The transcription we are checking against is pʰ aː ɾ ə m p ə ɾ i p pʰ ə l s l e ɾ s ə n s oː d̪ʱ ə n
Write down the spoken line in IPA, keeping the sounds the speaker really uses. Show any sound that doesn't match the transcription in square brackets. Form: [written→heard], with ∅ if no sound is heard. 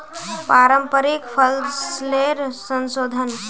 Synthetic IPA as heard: [pʰ→p] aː ɾ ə m p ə ɾ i [p→k] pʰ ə l s l e ɾ s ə n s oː d̪ʱ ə n